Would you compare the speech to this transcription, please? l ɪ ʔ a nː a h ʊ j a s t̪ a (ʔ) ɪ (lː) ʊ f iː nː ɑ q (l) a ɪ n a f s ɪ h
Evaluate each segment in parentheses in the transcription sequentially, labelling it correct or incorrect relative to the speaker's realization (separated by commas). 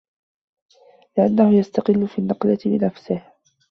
incorrect, correct, correct